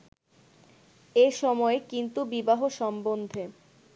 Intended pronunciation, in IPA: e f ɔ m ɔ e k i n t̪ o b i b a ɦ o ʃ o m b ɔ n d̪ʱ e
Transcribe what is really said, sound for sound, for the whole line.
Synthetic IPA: e ʃ ɔ m ɔ e k i n t̪ u b i b a ɦ o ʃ ɔ m b o n d̪ʱ e

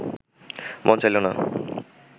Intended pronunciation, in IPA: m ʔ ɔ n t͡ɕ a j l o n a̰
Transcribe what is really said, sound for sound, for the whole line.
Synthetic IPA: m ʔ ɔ n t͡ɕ a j l o n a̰

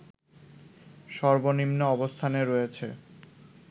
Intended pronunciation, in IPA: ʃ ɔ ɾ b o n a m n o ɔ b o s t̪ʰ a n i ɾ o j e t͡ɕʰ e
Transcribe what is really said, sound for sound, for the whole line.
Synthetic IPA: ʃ ɔ ɾ b o n i m n o ɔ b o s t̪ʰ a n e ɾ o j e t͡ɕʰ e

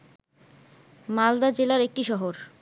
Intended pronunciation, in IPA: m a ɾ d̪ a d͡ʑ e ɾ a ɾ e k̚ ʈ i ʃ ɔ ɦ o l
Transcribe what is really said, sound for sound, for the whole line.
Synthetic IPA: m a l d̪ a d͡ʑ e l a ɾ e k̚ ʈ i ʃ ɔ ɦ o ɾ

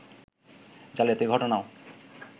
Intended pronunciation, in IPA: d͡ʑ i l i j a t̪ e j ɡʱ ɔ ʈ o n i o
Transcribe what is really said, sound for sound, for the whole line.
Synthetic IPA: d͡ʑ a l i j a t̪ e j ɡʱ ɔ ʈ o n a o

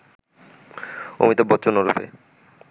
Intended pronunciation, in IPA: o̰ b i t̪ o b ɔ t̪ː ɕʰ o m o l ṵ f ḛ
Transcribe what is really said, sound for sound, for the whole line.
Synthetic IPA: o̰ m i t̪ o b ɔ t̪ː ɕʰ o n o ɾ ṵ f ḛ

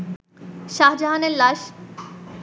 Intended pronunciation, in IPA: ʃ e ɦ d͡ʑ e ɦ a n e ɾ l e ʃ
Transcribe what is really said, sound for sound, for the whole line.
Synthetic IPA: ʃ a ɦ d͡ʑ a ɦ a n e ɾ l a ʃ

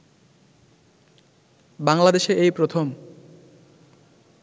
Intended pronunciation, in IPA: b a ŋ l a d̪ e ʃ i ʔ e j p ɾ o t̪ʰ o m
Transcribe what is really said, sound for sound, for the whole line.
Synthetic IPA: b a ŋ l a d̪ e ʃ e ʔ e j p ɾ o t̪ʰ o m

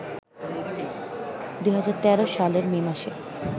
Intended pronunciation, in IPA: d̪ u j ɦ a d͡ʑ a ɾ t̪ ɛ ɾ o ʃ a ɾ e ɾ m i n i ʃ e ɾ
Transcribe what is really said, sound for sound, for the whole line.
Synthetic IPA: d̪ u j ɦ a d͡ʑ a ɾ t̪ ɛ ɾ o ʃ a l e ɾ m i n a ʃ e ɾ

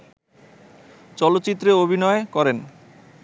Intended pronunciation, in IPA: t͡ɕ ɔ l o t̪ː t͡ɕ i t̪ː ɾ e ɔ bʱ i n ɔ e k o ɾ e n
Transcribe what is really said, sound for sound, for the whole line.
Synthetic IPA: t͡ɕ ɔ l o t̪ː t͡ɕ i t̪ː ɾ e o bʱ i n ɔ e k ɔ ɾ e n

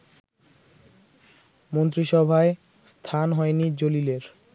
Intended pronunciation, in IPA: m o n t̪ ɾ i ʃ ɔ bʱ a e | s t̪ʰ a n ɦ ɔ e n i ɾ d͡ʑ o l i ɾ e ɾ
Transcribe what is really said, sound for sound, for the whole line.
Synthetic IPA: m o n t̪ ɾ i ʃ ɔ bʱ a e | s t̪ʰ a n ɦ ɔ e n i d͡ʑ o l i l e ɾ

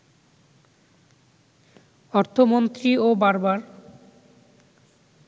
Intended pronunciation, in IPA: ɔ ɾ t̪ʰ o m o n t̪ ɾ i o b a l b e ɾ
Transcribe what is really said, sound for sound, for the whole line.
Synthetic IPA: ɔ ɾ t̪ʰ o m o n t̪ ɾ i o b a ɾ b a ɾ

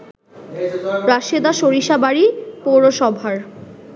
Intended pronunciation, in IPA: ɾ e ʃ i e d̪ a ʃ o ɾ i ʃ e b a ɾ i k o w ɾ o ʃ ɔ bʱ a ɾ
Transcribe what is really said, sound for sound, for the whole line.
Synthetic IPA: ɾ a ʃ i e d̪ a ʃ o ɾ i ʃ a b a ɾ i p o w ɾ o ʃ ɔ bʱ a ɾ

